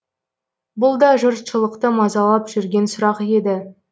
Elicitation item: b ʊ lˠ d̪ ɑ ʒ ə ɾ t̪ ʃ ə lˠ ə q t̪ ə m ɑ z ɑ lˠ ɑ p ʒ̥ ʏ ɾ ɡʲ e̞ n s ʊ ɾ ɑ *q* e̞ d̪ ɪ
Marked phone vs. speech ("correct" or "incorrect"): correct